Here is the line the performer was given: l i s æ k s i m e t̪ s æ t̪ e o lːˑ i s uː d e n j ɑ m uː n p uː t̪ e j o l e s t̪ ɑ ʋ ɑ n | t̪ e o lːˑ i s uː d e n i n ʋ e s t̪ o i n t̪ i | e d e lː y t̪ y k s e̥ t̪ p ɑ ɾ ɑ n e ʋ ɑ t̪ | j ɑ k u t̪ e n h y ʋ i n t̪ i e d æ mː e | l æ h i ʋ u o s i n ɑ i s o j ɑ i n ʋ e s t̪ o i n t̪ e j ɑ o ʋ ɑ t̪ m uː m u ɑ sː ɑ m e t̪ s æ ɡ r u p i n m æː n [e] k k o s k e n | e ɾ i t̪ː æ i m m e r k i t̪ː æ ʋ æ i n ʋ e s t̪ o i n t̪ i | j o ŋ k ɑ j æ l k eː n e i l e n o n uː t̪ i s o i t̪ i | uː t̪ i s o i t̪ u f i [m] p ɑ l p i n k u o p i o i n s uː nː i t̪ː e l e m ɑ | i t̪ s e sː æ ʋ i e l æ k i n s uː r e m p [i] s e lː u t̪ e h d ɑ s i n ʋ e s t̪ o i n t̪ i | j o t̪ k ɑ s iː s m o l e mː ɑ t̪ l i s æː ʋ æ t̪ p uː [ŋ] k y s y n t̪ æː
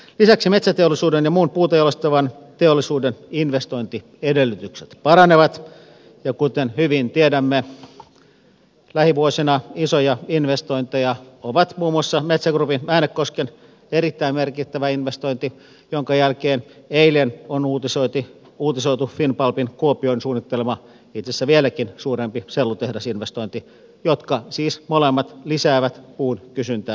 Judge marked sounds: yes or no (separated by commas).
yes, no, yes, no